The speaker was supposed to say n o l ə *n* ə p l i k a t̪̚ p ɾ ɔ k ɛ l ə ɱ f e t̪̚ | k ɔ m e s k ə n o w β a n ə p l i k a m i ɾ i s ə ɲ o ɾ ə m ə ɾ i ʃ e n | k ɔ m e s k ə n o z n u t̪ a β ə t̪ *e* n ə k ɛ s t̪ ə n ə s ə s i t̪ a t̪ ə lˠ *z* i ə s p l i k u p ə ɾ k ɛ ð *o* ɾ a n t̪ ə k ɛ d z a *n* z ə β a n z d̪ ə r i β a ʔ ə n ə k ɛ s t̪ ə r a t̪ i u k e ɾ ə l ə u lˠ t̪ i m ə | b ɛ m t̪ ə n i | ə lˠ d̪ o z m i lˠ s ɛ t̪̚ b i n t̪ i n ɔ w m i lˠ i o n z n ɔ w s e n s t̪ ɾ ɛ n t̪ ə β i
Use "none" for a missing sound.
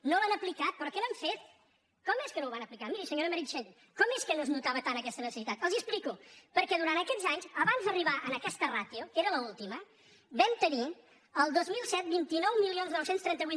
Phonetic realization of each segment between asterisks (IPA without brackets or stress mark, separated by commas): n, a, z, u, ɲ